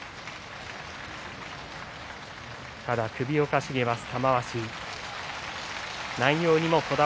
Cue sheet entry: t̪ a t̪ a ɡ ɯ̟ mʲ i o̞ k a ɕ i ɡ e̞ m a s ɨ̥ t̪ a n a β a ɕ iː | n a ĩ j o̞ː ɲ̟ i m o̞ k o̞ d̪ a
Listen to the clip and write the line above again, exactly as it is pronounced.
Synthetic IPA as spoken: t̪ a d̪ a k ɯ̟ bʲ i o̞ k a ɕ i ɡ e̞ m a s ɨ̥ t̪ a m a β a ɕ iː | n a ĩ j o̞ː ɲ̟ i m o̞ k o̞ d̪ a